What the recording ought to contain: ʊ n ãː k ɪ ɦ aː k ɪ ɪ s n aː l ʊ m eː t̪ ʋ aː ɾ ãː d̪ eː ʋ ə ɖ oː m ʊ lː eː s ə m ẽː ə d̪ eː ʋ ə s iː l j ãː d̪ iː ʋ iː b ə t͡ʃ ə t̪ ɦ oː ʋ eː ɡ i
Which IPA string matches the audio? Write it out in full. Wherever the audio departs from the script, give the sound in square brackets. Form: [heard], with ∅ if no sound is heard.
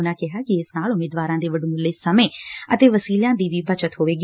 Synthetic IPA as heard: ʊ n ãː k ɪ ɦ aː k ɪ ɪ s n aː l ʊ m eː [d̪] ʋ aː ɾ ãː d̪ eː ʋ ə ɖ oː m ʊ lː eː s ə m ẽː ə [t̪] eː ʋ ə s iː l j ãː d̪ iː ʋ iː b ə t͡ʃ ə t̪ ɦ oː ʋ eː ɡ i